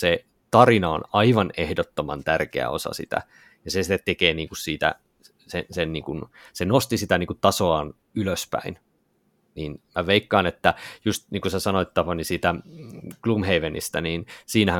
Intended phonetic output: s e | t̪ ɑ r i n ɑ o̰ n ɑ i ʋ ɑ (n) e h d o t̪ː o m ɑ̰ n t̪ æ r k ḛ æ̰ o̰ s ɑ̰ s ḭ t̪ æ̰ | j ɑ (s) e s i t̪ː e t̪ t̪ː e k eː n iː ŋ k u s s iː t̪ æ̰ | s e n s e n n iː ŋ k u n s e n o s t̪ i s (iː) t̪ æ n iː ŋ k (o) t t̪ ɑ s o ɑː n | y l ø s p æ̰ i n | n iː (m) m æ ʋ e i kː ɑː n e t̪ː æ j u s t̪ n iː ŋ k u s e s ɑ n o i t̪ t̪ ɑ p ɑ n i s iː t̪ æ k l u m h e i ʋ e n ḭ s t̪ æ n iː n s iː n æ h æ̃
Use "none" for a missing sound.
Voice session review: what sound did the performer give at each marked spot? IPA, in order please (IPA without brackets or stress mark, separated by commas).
n, s, i, u, n